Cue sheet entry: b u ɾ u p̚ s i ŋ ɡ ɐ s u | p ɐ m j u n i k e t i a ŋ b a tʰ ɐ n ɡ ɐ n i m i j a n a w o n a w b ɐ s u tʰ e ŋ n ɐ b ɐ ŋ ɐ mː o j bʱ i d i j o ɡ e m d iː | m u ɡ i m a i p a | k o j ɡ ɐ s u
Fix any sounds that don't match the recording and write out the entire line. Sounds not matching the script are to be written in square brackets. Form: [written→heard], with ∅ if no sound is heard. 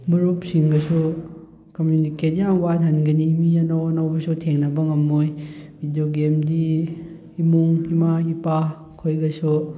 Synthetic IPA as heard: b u ɾ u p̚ s i ŋ ɡ ɐ s u | [p→k] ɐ m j u n i k e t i a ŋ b a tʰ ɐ n ɡ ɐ n i m i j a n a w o n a w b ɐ s u tʰ e ŋ n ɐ b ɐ ŋ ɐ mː o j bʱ i d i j o ɡ e m d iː | m u [ɡ→ŋ] i m a i p a | [k→kʰ] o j ɡ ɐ s u